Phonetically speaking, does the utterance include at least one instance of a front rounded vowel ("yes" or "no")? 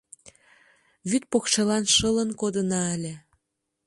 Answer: yes